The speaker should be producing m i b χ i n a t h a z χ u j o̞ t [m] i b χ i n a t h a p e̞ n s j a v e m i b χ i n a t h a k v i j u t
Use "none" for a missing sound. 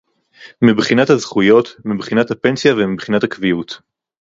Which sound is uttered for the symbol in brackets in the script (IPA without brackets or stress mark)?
m